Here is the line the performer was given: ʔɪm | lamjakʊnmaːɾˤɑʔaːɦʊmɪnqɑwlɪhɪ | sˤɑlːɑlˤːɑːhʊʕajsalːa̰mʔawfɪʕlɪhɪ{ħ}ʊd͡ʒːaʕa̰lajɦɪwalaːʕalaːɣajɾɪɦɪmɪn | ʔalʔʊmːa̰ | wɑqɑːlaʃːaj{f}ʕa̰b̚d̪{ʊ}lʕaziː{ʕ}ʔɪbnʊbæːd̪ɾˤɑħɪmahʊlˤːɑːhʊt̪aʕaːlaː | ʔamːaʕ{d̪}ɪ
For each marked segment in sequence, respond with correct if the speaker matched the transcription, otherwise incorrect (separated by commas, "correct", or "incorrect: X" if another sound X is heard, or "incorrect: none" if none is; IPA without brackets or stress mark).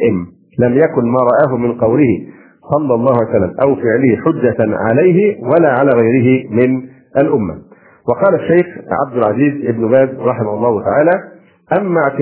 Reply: correct, incorrect: x, correct, incorrect: z, incorrect: t̪